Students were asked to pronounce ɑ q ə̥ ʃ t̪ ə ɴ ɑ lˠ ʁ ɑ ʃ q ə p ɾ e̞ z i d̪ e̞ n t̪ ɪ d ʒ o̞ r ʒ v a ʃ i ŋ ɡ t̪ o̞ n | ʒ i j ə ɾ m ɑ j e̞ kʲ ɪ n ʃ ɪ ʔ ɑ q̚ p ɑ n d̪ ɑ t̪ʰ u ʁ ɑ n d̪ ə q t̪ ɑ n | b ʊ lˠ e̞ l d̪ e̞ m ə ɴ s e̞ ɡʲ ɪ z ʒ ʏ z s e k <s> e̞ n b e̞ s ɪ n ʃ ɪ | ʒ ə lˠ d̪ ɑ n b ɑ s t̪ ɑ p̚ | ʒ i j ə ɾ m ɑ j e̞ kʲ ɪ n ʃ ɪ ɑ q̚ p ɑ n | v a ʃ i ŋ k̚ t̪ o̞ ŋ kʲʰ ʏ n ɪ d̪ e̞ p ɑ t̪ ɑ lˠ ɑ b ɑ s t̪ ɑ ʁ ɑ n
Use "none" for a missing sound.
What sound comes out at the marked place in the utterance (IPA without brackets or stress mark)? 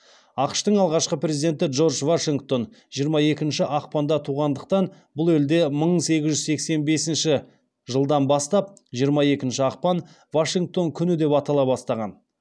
s